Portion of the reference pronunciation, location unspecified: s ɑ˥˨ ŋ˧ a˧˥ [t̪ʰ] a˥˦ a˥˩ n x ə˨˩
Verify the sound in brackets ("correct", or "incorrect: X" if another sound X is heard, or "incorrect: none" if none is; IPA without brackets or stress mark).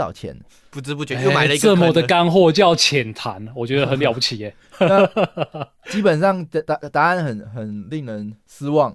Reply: incorrect: t̪